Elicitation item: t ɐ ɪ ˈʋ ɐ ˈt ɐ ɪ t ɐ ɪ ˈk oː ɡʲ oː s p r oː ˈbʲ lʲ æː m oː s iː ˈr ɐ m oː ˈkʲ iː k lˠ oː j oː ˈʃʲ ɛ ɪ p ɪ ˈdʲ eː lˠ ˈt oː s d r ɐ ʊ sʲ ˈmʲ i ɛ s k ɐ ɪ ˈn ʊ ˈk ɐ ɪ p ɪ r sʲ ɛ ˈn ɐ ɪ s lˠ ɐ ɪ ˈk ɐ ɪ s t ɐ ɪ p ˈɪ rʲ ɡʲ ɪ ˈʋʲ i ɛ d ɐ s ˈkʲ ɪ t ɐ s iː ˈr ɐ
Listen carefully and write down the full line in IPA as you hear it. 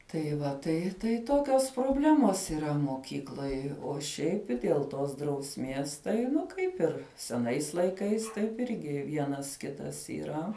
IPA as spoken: t ɐ ɪ ˈʋ ɐ ˈt ɐ ɪ t ɐ ɪ ˈt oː kʲ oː s p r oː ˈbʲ lʲ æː m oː s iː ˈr ɐ m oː ˈkʲ iː k lˠ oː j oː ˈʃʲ ɛ ɪ p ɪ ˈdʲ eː lˠ ˈt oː s d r ɐ ʊ sʲ ˈmʲ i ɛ s t ɐ ɪ ˈn ʊ ˈk ɐ ɪ p ɪ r sʲ ɛ ˈn ɐ ɪ s lˠ ɐ ɪ ˈk ɐ ɪ s t ɐ ɪ p ˈɪ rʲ ɡʲ ɪ ˈʋʲ i ɛ n ɐ s ˈkʲ ɪ t ɐ s iː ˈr ɐ